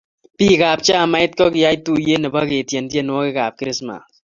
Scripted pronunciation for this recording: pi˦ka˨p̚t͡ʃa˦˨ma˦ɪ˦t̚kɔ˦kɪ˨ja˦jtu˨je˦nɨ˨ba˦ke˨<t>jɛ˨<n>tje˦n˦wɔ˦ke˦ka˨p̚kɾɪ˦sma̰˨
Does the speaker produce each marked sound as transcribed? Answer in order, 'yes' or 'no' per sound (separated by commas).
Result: yes, yes